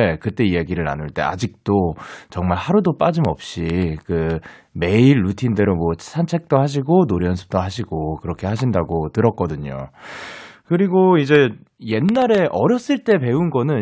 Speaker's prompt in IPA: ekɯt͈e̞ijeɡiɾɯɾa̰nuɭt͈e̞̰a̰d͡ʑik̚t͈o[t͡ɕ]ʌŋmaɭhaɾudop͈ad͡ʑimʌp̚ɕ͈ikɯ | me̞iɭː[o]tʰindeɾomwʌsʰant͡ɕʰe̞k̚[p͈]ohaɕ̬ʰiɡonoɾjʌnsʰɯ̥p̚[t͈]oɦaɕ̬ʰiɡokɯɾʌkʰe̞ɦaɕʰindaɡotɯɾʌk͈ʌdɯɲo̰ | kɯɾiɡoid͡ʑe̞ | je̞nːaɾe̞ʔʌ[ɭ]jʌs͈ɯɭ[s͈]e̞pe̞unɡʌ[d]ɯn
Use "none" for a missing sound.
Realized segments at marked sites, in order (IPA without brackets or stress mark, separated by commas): t͡ɕ, u, t͈, t͈, ɾ, t͈, n